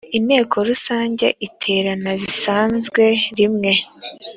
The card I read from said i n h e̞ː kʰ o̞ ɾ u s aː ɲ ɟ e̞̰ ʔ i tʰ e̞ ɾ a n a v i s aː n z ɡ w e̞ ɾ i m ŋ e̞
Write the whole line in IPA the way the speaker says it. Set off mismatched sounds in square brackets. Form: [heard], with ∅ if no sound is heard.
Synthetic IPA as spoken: i n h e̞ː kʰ o̞ ɾ u s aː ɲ ɟ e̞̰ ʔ i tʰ e̞ ɾ a n a [β] i s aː n z ɡ w e̞ ɾ i m ŋ e̞